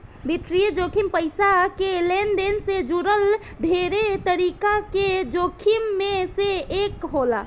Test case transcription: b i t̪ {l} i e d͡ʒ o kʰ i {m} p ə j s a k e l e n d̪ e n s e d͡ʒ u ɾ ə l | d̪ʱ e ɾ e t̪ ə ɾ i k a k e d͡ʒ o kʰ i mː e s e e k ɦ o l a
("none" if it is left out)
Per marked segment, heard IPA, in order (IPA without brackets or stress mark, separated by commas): ɾ, m